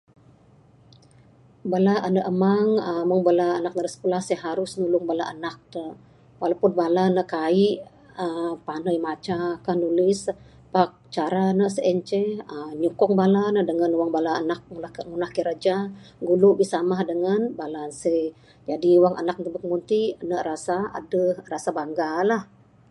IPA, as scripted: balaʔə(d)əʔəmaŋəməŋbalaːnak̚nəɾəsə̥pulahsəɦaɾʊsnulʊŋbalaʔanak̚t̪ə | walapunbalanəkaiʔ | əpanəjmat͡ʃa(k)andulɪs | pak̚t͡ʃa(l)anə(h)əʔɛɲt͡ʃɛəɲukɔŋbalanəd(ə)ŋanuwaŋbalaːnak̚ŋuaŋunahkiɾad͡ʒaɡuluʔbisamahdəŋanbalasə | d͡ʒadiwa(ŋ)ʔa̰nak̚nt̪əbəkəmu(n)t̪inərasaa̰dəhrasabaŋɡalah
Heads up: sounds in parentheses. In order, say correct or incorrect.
incorrect: n, correct, incorrect: ɾ, incorrect: s, correct, correct, correct

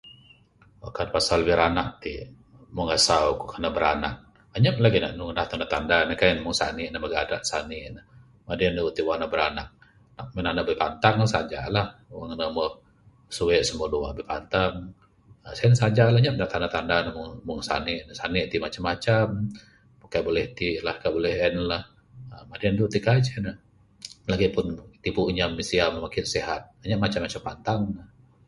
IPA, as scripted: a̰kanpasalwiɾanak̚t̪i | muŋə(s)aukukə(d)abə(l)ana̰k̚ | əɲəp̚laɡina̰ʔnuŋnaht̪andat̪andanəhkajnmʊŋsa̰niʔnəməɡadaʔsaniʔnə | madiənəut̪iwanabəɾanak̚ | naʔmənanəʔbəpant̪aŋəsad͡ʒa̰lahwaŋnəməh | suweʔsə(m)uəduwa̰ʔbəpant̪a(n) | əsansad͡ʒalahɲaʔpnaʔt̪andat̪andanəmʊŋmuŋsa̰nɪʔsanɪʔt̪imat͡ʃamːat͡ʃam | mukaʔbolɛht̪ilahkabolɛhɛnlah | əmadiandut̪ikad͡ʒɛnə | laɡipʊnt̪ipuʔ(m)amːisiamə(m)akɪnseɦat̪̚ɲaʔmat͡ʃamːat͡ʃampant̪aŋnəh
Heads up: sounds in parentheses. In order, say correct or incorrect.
correct, incorrect: n, incorrect: ɾ, correct, incorrect: ŋ, incorrect: ɲ, correct

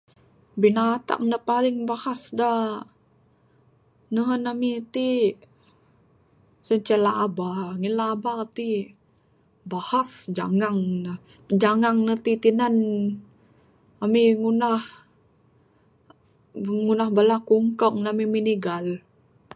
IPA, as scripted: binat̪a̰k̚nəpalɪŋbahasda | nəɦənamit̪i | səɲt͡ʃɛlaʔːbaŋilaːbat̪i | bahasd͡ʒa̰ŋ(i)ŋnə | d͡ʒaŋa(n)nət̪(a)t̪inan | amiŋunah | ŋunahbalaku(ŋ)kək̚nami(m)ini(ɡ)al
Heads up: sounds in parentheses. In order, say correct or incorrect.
incorrect: a, incorrect: ŋ, incorrect: i, correct, correct, correct

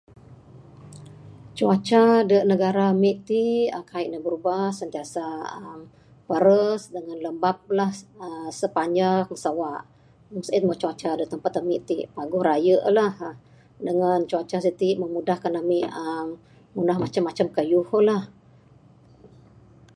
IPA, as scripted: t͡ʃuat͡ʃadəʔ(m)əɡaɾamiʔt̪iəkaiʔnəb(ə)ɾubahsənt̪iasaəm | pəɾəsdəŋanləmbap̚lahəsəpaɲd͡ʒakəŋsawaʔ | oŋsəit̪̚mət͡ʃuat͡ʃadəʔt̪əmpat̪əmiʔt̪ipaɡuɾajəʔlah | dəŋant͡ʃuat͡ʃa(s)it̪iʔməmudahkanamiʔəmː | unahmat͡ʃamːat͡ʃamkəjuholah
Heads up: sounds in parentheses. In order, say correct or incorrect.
incorrect: n, correct, correct

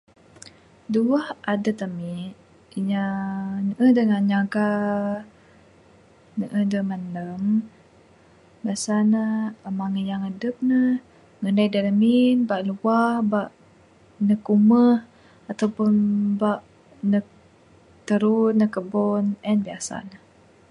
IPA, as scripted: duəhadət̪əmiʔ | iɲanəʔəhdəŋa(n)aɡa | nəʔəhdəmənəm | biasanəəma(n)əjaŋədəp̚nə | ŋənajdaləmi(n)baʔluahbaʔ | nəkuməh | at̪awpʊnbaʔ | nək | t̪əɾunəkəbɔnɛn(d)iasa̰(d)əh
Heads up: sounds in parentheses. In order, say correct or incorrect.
incorrect: ɲ, incorrect: ŋ, correct, incorrect: b, incorrect: n

